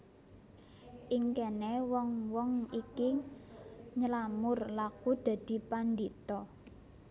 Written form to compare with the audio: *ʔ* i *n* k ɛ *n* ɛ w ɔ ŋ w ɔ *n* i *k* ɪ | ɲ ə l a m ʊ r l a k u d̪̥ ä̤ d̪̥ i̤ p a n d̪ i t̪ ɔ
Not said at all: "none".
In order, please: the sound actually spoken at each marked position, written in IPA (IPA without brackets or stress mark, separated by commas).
ʔ, ŋ, n, ŋ, k